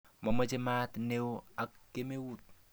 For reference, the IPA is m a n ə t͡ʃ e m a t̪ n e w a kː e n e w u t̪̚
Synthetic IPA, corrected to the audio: m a m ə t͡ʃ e m a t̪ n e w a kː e m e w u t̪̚